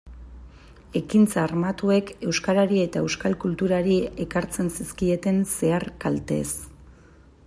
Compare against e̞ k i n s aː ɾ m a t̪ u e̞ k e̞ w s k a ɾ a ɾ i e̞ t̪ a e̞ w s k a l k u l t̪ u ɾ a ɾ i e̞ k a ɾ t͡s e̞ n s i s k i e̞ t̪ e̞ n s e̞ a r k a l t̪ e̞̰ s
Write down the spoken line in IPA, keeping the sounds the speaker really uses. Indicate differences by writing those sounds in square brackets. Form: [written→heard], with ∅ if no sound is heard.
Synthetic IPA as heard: e̞ k i n [s→t͡s] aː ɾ m a t̪ u e̞ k e̞ w s k a ɾ a ɾ i e̞ t̪ a e̞ w s k a l k u l t̪ u ɾ a ɾ i e̞ k a ɾ t͡s e̞ n s i s k i e̞ t̪ e̞ n s e̞ a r k a l t̪ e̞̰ s